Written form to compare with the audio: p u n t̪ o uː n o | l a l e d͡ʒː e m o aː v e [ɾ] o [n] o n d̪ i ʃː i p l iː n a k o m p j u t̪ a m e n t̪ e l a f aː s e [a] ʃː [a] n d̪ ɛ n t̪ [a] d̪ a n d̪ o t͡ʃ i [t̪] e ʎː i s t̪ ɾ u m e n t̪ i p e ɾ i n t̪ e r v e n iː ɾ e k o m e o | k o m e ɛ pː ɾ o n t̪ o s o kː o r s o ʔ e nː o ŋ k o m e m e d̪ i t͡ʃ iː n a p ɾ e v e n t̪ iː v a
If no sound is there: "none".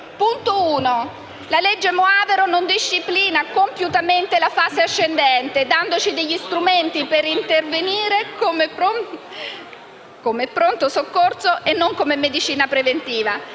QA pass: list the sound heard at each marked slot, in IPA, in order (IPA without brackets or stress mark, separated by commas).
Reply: ɾ, n, a, e, e, d̪